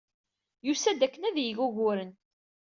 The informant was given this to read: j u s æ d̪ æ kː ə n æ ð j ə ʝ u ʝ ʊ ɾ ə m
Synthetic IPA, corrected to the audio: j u s æ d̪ æ kː ə n æ ð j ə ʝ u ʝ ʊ ɾ ə n